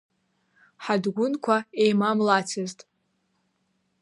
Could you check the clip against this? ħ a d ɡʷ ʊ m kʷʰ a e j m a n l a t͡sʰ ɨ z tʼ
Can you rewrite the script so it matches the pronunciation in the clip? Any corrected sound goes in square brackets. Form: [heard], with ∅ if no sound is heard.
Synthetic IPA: ħ a d ɡʷ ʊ [n] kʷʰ a e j m a [m] l a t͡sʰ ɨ z tʼ